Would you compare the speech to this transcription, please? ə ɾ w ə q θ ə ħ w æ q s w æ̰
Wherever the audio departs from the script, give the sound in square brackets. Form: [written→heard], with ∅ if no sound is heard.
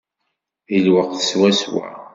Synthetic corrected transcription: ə [ɾ→l] w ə q θ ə [ħ→s] w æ [q→∅] s w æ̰